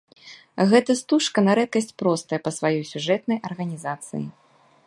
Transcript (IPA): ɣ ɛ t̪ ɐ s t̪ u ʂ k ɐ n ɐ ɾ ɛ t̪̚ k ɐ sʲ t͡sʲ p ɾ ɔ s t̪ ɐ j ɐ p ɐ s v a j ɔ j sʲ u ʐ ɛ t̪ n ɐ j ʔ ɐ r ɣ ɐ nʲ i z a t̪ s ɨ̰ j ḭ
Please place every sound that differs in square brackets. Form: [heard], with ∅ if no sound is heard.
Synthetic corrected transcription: ɣ ɛ t̪ ɐ s t̪ u ʂ k ɐ n ɐ ɾ ɛ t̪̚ k ɐ sʲ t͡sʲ p ɾ ɔ s t̪ ɐ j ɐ p ɐ s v a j ɔ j sʲ u ʐ ɛ t̪ n ɐ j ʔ ɐ r ɣ ɐ nʲ i z a t̪ s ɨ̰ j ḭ